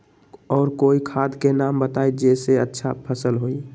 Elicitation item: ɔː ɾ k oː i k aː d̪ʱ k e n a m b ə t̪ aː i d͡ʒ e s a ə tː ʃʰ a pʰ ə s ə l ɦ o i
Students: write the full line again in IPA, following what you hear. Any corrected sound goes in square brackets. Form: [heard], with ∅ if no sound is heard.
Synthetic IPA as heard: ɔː ɾ k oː i [kʰ] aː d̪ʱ k e n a m b ə t̪ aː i d͡ʒ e s [e] ə tː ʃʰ a pʰ ə s ə l ɦ o i

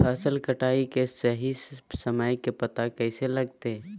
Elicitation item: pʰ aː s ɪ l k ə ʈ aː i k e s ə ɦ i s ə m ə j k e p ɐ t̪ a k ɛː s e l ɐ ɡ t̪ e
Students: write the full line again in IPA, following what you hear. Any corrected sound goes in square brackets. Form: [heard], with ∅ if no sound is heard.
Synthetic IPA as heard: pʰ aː s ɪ l k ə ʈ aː i k e s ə ɦ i s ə m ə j k e p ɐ t̪ a k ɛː s e l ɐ ɡ t̪ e

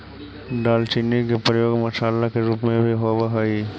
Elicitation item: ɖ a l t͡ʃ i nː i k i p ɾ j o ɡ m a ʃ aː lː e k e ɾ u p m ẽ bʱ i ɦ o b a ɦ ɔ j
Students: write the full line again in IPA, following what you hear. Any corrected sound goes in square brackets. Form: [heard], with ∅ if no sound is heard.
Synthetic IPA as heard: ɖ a l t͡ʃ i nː i k [e] p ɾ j o ɡ m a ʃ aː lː [a] k e ɾ u p m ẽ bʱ i ɦ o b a ɦ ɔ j

